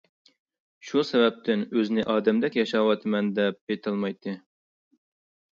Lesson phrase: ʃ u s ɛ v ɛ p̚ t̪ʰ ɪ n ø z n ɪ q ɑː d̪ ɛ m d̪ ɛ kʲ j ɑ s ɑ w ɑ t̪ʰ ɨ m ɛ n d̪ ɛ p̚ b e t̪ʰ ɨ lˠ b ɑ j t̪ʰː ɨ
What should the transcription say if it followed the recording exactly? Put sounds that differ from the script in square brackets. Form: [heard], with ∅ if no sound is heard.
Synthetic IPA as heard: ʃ u s ɛ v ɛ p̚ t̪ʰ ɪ n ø z n ɪ [ʔ] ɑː d̪ ɛ m d̪ ɛ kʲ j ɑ [ʃ] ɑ w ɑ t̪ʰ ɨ m ɛ n d̪ ɛ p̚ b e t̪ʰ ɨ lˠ [m] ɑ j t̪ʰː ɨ

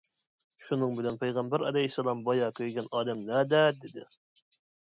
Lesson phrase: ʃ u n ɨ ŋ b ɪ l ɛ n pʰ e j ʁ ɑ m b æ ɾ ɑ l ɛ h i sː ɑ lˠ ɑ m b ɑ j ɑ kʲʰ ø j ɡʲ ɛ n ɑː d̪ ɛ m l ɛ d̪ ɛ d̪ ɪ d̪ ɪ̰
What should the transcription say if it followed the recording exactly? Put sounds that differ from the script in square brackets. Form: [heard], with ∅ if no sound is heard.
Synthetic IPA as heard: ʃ u n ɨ ŋ b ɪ l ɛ n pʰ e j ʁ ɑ m b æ ɾ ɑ l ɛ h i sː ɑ lˠ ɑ m b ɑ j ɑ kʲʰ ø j ɡʲ ɛ n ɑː d̪ ɛ m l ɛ d̪ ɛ d̪ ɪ d̪ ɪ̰

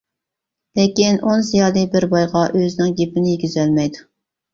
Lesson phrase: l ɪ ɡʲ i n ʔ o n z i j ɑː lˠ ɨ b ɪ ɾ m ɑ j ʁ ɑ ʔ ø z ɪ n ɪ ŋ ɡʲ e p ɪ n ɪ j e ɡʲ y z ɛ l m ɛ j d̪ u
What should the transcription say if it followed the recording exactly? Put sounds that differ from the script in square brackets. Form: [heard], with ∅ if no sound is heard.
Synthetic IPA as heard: l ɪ [kʲ] i n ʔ o n z i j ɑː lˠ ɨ b ɪ ɾ [b] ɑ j ʁ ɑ ʔ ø z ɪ n ɪ ŋ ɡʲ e p ɪ n ɪ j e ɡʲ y z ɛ l m ɛ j d̪ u

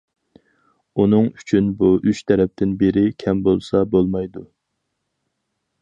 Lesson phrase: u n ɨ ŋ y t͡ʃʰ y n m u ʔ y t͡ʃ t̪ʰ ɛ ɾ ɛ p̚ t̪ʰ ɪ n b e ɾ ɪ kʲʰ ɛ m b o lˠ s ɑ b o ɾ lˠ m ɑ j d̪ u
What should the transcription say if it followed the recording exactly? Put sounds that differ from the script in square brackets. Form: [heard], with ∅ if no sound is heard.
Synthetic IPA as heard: u n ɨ ŋ y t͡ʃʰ y n [b] u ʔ y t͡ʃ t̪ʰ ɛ ɾ ɛ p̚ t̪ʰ ɪ n b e ɾ ɪ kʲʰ ɛ m b o lˠ s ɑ b o [∅] lˠ m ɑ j d̪ u

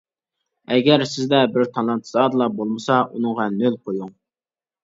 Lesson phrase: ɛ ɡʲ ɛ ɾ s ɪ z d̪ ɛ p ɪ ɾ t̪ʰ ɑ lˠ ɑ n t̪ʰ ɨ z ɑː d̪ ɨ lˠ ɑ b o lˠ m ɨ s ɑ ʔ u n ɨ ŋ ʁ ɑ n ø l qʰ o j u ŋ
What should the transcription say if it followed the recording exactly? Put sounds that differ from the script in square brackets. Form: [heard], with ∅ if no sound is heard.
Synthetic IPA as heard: ɛ ɡʲ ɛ ɾ s ɪ z d̪ ɛ [b] ɪ ɾ t̪ʰ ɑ lˠ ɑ n t̪ʰ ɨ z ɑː d̪ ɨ lˠ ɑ b o lˠ m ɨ s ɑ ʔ u n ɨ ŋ ʁ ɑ n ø l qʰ o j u ŋ

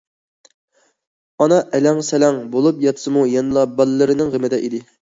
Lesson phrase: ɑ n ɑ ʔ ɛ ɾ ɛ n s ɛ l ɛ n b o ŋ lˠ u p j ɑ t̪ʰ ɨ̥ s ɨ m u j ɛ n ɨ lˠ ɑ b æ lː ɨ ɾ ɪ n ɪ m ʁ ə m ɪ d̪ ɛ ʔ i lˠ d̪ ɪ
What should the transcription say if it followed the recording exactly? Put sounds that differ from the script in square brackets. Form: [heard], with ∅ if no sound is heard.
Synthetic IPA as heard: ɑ n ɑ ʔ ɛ [l] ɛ [ŋ] s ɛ l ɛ [ŋ] b o [∅] lˠ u p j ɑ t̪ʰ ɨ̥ s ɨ m u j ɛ n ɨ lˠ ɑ b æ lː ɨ ɾ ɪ n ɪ [ŋ] ʁ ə m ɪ d̪ ɛ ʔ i [∅] d̪ ɪ

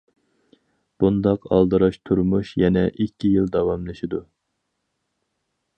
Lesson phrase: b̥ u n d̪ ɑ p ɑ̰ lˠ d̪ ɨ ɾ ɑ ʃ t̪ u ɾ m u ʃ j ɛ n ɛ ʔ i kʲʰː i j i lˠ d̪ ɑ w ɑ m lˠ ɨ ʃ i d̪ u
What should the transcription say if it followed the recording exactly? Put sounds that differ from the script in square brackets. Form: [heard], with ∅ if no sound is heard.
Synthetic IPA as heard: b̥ u n d̪ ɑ [q] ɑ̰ lˠ d̪ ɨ ɾ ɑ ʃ [t̪ʰ] u ɾ m u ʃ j ɛ n ɛ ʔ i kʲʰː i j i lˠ d̪ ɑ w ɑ m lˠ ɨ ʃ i d̪ u

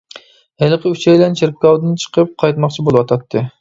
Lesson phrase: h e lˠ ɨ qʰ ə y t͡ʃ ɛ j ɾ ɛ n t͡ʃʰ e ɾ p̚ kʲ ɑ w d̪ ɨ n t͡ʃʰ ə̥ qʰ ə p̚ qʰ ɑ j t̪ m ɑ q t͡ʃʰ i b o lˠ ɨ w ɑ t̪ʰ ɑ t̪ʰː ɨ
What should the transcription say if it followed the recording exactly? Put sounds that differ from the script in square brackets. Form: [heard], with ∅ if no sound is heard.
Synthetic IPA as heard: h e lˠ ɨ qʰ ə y t͡ʃ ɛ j [l] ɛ n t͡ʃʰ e ɾ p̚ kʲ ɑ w d̪ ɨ n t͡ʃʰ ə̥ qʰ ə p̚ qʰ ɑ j t̪ m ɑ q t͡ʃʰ i b o lˠ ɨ w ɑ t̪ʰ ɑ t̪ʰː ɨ

